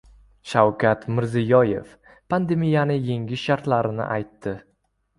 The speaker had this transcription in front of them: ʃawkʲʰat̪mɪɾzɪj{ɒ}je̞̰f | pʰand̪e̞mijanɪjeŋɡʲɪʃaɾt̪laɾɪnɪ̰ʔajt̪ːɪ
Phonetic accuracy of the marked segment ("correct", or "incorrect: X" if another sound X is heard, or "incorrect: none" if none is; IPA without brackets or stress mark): correct